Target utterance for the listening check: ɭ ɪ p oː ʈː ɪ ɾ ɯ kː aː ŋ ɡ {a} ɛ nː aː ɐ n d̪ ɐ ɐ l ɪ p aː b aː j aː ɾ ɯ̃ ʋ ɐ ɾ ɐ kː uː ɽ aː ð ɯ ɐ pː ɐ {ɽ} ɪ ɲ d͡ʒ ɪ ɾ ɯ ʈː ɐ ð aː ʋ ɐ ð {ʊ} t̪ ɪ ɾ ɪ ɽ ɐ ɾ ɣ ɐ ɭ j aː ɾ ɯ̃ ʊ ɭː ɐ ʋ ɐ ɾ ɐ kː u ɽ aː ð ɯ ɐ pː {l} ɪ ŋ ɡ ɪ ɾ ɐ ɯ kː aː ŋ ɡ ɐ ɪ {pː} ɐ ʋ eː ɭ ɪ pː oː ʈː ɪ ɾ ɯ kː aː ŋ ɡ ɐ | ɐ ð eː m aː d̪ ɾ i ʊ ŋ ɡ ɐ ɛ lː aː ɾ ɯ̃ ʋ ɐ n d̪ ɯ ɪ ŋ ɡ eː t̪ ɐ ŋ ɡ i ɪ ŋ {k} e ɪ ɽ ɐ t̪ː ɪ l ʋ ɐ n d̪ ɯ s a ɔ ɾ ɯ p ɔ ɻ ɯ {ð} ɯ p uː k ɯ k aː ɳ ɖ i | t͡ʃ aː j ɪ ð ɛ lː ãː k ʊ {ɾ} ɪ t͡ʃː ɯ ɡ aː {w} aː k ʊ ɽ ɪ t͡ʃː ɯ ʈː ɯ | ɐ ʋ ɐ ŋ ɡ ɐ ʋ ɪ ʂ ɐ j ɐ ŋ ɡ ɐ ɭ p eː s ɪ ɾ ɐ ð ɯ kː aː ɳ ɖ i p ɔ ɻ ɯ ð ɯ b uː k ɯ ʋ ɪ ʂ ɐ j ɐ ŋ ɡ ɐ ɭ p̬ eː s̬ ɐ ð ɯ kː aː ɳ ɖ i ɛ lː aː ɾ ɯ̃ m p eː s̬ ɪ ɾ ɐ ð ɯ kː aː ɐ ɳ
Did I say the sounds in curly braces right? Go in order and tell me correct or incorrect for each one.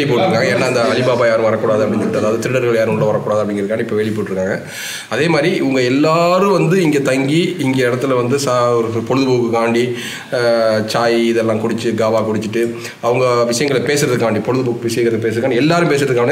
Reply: incorrect: ɐ, correct, incorrect: ɯ, incorrect: ɽ, correct, incorrect: ɡ, correct, incorrect: ɽ, incorrect: ʋ

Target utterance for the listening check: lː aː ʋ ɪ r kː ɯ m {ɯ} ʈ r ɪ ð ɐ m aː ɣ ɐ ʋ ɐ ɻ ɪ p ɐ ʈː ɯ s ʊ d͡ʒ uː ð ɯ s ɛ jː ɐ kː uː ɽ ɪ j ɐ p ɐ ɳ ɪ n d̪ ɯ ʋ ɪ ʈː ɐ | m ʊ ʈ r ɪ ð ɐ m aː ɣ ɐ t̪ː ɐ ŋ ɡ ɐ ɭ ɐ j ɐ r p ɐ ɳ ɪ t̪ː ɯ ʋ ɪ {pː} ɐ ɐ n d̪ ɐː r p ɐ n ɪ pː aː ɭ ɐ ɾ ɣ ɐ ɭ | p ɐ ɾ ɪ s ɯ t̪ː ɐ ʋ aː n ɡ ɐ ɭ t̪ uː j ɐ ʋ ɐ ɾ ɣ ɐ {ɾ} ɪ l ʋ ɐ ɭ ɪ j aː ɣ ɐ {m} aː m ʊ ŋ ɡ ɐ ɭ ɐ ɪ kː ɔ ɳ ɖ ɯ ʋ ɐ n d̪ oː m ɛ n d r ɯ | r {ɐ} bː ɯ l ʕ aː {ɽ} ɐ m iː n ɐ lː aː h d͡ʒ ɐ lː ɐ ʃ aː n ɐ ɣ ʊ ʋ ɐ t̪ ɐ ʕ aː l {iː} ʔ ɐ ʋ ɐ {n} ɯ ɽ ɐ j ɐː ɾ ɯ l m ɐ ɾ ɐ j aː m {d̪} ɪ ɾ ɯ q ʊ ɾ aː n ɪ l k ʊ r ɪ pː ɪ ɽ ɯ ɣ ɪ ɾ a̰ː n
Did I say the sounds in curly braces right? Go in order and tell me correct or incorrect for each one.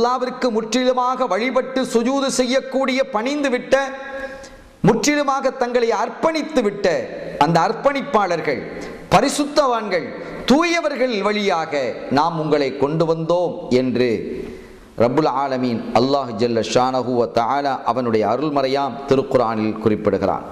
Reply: incorrect: ʊ, incorrect: ʈː, incorrect: ɭ, incorrect: n, correct, incorrect: l, incorrect: aː, correct, incorrect: t̪

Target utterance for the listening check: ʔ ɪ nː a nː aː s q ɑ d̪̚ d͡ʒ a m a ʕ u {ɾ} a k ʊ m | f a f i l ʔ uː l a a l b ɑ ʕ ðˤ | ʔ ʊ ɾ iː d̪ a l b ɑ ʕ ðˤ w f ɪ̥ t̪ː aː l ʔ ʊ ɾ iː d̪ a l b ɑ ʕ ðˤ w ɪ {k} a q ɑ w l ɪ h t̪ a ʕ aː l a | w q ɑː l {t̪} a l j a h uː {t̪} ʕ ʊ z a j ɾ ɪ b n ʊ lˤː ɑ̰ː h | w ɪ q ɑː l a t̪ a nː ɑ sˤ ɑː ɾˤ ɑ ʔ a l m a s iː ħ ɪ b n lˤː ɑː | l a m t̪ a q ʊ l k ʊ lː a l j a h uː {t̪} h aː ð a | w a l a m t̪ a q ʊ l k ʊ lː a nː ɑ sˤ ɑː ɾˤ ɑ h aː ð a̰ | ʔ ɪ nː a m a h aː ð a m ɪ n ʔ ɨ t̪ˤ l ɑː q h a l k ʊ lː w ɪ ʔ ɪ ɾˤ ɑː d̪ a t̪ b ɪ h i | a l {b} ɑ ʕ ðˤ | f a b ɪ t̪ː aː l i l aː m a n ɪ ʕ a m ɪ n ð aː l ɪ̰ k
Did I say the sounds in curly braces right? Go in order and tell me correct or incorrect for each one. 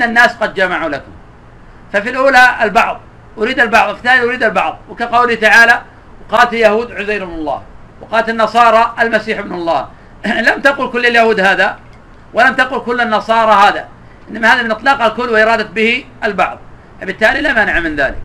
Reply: incorrect: l, correct, correct, incorrect: d̪, incorrect: d̪, correct

